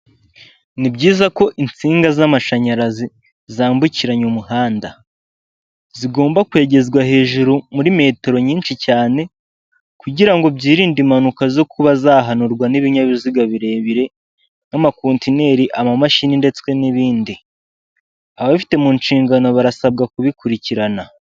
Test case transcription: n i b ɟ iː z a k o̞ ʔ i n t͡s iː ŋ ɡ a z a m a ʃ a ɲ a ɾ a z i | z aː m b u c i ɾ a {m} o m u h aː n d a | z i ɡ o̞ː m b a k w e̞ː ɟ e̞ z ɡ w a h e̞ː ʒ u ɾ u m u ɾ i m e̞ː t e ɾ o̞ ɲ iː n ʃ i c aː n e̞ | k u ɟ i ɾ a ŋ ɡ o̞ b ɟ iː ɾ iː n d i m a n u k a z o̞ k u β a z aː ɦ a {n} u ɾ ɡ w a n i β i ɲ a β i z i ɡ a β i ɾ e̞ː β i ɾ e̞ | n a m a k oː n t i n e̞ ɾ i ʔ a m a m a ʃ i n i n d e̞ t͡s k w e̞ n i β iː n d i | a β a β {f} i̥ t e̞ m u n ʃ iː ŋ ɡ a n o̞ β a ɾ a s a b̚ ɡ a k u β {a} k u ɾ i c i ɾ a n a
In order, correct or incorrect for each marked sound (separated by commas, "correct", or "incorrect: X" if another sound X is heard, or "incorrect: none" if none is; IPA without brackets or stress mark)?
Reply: incorrect: ɲ, correct, correct, incorrect: i